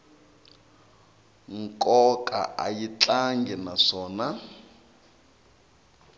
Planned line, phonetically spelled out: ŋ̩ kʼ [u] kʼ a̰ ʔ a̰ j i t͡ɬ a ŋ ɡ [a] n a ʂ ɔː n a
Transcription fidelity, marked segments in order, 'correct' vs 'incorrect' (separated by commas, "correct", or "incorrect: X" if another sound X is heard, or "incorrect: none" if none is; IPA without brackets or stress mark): incorrect: ɔ, incorrect: ɛ